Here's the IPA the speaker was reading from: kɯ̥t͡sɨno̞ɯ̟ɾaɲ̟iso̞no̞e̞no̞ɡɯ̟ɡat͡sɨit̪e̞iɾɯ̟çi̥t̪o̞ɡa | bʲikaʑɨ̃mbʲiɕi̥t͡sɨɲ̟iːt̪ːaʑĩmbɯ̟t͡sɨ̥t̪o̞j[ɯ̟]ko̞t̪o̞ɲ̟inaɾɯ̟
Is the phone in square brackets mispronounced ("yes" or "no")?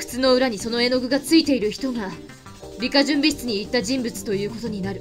yes